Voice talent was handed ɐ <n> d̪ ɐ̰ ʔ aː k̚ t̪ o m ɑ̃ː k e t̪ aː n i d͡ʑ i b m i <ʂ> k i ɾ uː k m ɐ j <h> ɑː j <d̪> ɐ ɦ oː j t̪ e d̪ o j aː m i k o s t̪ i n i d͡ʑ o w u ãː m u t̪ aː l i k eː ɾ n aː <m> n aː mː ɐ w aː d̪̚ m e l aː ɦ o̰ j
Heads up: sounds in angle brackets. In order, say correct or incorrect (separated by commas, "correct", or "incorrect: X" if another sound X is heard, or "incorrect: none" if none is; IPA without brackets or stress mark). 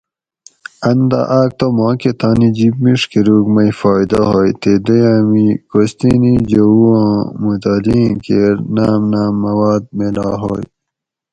correct, correct, incorrect: f, correct, correct